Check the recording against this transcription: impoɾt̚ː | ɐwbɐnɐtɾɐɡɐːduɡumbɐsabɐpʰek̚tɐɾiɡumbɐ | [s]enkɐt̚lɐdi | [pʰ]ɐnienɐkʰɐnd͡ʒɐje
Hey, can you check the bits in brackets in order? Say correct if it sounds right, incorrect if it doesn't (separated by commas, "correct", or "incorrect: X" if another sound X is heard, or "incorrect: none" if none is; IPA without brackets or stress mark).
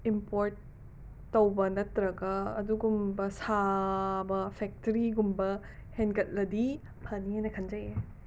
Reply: incorrect: h, correct